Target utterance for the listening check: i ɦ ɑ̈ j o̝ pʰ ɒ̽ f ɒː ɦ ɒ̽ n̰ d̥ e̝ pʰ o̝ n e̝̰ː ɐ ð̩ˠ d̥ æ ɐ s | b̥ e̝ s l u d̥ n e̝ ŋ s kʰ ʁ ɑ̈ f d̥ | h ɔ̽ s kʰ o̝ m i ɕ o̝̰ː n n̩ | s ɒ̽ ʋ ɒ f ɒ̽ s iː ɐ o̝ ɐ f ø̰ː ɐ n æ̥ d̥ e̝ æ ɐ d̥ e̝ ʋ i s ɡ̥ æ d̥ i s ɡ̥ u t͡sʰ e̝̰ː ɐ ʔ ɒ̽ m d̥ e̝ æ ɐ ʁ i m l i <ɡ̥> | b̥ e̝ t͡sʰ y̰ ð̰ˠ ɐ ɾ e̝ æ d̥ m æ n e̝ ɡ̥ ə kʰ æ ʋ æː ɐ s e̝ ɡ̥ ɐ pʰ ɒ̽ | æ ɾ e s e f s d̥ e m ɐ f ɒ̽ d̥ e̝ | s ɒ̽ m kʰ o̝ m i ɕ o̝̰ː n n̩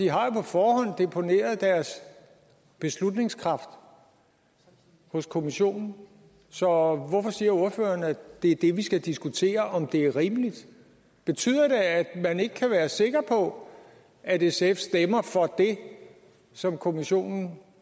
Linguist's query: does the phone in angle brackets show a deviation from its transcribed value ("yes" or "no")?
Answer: yes